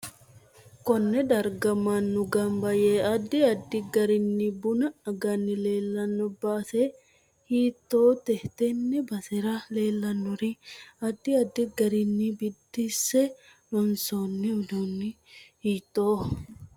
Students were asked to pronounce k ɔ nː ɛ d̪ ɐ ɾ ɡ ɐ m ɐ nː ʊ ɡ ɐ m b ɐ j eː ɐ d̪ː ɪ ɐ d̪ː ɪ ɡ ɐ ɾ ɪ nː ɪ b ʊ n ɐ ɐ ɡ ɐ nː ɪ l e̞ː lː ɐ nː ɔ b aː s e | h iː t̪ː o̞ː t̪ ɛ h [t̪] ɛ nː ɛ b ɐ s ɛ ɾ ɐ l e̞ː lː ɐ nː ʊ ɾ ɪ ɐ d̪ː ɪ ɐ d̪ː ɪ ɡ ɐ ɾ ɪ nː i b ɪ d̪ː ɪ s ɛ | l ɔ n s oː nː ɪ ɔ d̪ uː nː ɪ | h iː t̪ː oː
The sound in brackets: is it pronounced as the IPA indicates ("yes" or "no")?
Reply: yes